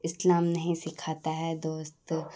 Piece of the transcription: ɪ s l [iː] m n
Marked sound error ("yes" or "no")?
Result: yes